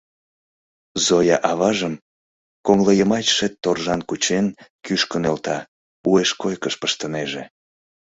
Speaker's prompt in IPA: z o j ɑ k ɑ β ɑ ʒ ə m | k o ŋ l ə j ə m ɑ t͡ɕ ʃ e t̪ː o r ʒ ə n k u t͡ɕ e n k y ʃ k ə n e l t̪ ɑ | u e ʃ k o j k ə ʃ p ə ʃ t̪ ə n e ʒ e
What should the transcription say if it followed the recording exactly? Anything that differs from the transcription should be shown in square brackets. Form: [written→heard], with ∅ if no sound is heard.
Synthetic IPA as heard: z o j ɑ [k→ʔ] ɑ β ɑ ʒ ə m | k o ŋ l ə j ə m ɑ t͡ɕ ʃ e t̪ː o r ʒ [ə→ɑ] n k u t͡ɕ e n k y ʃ k ə n e l t̪ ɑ | u e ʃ k o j k ə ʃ p ə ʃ t̪ ə n e ʒ e

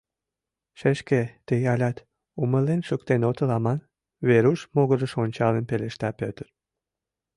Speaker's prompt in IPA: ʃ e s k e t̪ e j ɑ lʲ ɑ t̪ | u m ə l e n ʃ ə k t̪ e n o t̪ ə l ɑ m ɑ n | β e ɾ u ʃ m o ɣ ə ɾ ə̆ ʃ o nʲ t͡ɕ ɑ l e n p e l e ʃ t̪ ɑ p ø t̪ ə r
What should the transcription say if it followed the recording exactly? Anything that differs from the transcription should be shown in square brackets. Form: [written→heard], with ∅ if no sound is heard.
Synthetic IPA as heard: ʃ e [s→ʃ] k e t̪ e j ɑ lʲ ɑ t̪ | u m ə l e n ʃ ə k t̪ e n o t̪ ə l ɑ m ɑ n | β e ɾ u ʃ m o ɣ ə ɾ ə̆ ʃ o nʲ t͡ɕ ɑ l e n p e l e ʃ t̪ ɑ p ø t̪ ə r

